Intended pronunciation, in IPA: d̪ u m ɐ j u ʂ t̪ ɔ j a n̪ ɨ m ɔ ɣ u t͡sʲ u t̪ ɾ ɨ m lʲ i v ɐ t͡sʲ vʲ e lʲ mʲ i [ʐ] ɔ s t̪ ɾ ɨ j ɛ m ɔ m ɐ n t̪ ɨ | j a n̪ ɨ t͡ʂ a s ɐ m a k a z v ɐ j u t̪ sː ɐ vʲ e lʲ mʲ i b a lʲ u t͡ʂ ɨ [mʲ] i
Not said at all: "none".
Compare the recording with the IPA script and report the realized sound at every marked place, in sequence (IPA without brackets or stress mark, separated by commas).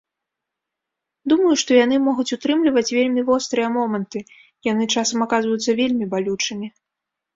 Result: v, mʲ